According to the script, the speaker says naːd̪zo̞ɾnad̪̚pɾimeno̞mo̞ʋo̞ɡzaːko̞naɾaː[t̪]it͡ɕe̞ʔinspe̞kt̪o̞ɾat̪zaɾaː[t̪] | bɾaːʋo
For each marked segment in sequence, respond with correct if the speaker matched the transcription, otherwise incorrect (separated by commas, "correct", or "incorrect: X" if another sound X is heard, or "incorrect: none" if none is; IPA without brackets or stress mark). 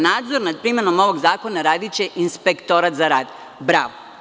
incorrect: d̪, incorrect: d̪